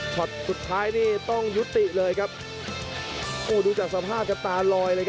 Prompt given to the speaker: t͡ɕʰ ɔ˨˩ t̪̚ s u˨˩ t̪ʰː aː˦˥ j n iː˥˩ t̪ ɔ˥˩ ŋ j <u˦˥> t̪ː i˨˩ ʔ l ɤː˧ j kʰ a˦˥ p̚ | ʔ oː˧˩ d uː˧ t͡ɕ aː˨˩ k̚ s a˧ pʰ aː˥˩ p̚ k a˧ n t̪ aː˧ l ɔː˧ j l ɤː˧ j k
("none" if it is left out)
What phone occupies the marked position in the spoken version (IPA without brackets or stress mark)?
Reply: u˦˥